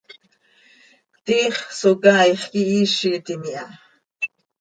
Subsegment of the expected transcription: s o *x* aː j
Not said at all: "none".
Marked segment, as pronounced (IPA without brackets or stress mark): k